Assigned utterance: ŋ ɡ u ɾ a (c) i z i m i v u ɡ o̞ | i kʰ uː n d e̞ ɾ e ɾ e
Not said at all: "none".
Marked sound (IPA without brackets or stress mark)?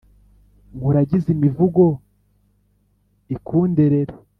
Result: ɟ